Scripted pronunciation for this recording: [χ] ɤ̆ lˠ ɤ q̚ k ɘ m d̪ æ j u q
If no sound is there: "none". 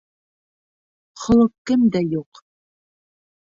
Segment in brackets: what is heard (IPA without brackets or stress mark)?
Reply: χ